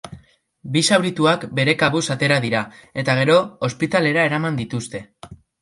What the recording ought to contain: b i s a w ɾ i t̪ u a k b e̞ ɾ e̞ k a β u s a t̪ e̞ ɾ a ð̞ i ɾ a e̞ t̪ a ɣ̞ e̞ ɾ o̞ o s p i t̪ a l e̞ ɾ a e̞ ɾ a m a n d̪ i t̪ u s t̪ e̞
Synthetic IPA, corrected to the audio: b i s a w ɾ i t̪ u a k b e̞ ɾ e̞ k a β u s a t̪ e̞ ɾ a ð̞ i ɾ a e̞ t̪ a ɣ̞ e̞ ɾ o̞ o s p i t̪ a l e̞ ɾ a e̞ ɾ a m a n d̪ i t̪ u s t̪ e̞